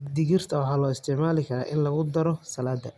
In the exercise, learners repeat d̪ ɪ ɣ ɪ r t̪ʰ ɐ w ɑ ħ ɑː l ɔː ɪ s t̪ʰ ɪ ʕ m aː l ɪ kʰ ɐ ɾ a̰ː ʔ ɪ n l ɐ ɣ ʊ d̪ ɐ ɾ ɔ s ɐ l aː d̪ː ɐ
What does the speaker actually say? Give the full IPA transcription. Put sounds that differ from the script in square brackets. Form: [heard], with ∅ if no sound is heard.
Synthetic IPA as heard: d̪ ɪ ɣ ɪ r t̪ʰ ɐ w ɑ ħ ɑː l ɔː ɪ s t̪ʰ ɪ ʕ m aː l ɪ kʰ ɐ ɾ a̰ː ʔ ɪ n l ɐ ɣ ʊ d̪ ɐ ɾ ɔ s ɐ l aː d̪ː ɐ